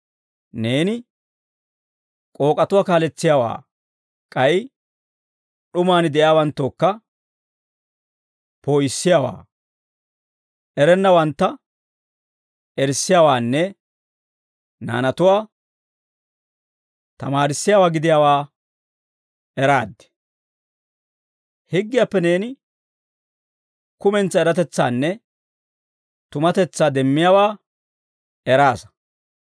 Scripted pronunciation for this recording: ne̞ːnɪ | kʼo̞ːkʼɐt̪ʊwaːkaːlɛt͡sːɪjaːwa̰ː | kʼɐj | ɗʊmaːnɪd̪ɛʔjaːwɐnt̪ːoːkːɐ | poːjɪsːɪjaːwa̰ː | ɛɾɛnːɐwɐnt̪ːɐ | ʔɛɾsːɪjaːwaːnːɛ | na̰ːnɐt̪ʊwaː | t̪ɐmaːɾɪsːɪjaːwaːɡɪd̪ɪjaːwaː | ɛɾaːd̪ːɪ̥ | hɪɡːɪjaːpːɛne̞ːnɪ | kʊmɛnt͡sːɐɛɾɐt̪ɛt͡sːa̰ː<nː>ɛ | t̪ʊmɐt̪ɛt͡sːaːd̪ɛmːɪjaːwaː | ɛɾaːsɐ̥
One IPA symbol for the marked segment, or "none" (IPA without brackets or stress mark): nː